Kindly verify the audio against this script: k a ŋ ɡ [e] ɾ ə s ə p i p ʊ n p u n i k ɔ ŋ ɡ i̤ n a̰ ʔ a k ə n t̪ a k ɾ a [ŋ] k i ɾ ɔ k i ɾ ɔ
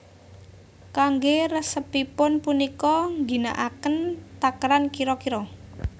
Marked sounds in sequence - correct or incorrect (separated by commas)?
correct, incorrect